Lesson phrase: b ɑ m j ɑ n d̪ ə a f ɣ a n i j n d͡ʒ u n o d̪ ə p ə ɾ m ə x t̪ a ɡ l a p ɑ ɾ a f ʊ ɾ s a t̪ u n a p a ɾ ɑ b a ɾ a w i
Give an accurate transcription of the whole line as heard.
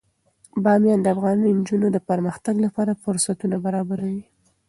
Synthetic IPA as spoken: b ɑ m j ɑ n d̪ ə a f ɣ ɑ n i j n d͡ʒ u n o d̪ ə p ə ɾ m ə x t̪ a ɡ l a p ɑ ɾ a f ʊ ɾ s a t̪ u n a b a ɾ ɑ b a ɾ a w i